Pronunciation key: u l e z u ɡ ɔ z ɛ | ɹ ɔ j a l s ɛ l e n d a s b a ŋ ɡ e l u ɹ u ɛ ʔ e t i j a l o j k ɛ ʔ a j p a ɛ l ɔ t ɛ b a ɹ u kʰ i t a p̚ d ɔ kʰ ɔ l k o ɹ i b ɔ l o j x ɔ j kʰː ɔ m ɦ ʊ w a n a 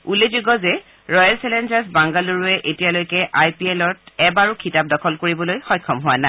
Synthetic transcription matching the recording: u l e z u ɡ ɔ z ɛ | ɹ ɔ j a l s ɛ l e n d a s b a ŋ ɡ a l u ɹ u ɛ ʔ e t i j a l o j k ɛ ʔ a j p i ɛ l ɔ t ɛ b a ɹ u kʰ i t a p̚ d ɔ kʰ ɔ l k o ɹ i b ɔ l o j x ɔ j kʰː ɔ m ɦ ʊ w a n a